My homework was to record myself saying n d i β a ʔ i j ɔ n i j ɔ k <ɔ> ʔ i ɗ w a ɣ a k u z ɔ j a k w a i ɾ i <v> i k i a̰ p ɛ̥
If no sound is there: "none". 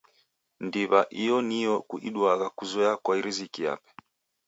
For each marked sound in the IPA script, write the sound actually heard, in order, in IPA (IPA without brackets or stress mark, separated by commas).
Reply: u, z